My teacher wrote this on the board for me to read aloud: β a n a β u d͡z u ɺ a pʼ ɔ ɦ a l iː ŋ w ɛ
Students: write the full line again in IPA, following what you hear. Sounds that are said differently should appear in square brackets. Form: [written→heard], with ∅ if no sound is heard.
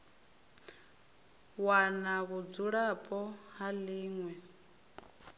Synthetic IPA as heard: [β→w] a n a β u d͡z u ɺ a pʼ ɔ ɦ a l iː ŋ w ɛ